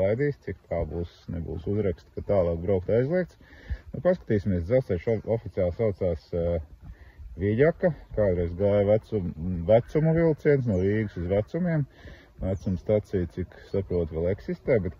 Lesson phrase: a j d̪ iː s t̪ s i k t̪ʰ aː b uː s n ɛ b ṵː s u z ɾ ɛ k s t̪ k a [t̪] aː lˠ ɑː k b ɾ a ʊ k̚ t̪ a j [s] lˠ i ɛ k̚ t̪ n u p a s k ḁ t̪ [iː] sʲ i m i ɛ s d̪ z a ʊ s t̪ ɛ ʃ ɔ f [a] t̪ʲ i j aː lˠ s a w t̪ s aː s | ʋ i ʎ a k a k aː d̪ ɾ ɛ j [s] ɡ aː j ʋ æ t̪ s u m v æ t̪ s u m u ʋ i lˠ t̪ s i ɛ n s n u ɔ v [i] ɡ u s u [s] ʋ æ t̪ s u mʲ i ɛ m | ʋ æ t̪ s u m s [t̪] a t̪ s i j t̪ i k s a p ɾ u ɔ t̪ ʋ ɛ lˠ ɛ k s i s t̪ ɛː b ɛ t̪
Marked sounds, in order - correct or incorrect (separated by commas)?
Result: correct, incorrect, correct, incorrect, incorrect, incorrect, incorrect, correct